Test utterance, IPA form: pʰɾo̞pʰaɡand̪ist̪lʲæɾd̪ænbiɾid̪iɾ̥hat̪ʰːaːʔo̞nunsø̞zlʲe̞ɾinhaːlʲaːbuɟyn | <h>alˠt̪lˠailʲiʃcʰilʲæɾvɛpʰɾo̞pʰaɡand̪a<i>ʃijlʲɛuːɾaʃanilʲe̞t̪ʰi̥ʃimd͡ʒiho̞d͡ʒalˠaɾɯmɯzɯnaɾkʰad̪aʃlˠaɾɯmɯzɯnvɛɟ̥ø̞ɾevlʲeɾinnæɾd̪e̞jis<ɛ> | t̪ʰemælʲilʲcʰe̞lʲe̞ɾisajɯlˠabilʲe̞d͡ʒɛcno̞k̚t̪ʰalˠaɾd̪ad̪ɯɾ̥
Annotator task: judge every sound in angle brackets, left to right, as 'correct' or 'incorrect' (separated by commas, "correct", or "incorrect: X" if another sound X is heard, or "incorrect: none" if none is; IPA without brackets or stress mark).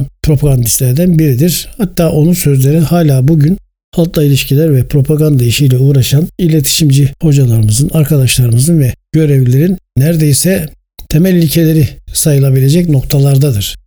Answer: correct, correct, correct